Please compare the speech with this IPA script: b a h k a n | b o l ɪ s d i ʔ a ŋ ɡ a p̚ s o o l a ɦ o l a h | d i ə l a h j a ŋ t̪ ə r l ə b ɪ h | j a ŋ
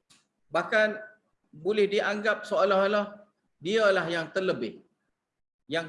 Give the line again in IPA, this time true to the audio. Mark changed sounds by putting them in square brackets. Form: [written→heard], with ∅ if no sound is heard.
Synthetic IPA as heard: b a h k a n | b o l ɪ [s→h] d i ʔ a ŋ ɡ a p̚ s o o l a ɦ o l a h | d i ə l a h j a ŋ t̪ ə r l ə b ɪ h | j a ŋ